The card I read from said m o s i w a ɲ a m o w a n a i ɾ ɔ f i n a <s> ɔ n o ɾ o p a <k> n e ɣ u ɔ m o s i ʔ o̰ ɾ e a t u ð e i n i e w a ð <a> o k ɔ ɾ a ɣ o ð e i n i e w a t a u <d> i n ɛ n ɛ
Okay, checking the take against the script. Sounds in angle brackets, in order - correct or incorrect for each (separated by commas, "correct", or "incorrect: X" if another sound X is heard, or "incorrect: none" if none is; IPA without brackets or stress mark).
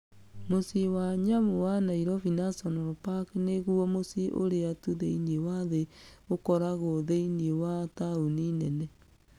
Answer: correct, correct, incorrect: e, incorrect: n